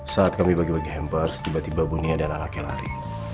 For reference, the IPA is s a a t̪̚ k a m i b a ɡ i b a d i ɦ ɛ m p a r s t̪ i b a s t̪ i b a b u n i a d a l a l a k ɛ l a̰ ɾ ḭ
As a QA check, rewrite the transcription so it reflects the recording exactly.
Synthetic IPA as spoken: s a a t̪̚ k a m i b a ɡ i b a ɡ i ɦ ɛ m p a r s t̪ i b a t̪ i b a b u n i a d a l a l a k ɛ l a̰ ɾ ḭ